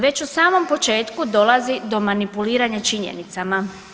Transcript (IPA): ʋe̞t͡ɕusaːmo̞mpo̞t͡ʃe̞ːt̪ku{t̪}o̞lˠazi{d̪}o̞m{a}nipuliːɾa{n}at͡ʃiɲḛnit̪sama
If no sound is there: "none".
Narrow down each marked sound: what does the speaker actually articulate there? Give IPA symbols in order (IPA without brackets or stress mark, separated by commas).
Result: d̪, d̪, a, ɲ